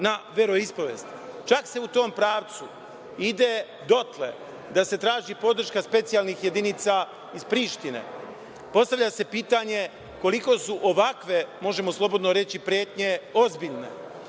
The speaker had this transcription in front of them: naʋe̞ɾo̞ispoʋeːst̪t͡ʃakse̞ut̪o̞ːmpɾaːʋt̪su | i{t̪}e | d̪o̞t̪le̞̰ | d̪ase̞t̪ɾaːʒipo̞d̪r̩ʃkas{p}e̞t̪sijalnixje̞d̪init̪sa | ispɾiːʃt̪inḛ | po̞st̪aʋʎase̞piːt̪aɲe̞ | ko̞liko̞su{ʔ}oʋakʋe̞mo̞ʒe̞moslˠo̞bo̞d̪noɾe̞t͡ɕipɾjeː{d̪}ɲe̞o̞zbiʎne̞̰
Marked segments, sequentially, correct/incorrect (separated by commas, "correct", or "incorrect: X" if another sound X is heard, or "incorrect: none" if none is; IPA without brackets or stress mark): incorrect: d̪, correct, correct, incorrect: t̪